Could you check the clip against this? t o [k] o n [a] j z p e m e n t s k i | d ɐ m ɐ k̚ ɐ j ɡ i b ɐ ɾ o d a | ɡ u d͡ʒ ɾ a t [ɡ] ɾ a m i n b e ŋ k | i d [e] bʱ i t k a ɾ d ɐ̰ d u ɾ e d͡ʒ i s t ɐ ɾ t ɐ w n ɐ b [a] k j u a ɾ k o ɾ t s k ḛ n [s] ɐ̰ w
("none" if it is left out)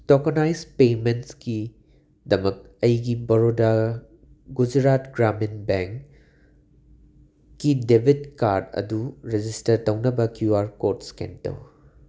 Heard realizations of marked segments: k, a, ɡ, e, ɐ, t

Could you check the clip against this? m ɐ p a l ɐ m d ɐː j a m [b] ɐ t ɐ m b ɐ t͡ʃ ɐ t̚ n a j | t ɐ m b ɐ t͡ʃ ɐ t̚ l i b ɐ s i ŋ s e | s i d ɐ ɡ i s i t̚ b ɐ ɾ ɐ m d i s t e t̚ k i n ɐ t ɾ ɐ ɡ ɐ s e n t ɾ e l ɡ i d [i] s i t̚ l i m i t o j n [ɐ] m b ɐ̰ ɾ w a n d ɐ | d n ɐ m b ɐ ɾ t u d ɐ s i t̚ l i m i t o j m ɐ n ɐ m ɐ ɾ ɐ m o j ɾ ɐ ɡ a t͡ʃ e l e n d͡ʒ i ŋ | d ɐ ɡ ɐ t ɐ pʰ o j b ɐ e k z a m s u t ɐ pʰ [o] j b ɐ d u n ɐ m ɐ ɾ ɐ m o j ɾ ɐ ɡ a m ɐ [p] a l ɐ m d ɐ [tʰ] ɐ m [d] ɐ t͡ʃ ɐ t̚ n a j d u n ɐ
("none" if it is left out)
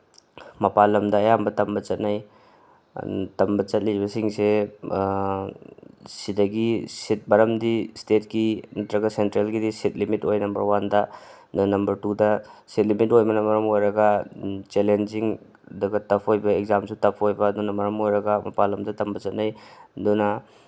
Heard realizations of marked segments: b, i, ɐ, o, p, t, b

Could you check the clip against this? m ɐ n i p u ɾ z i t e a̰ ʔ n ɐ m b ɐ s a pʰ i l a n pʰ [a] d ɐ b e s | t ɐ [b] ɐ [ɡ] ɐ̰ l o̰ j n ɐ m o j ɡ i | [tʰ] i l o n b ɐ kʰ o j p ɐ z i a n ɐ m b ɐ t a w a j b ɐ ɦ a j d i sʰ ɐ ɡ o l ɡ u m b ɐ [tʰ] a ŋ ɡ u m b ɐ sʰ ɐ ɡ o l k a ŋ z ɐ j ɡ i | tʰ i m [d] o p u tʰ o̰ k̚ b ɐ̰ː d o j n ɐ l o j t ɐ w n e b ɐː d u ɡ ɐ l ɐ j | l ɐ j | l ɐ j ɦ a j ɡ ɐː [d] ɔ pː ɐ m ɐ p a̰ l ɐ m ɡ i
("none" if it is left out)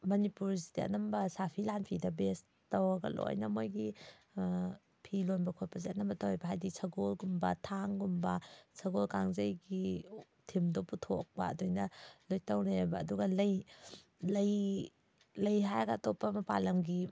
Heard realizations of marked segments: i, w, ɡ, pʰ, tʰ, d, t

